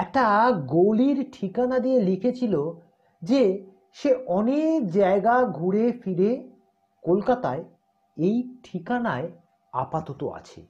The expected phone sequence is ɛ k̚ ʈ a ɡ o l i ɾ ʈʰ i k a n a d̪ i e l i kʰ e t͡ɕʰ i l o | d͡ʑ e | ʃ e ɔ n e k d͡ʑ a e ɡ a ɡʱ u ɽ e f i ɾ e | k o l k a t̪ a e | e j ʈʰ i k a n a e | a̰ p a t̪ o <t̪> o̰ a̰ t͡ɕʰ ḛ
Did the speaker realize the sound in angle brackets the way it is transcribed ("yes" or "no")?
yes